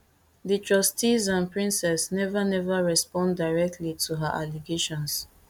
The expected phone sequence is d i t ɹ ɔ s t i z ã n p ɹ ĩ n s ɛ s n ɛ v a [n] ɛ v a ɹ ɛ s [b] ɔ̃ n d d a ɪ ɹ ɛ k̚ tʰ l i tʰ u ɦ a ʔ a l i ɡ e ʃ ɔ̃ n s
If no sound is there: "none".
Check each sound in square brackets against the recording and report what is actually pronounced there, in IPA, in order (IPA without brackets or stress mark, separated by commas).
n, p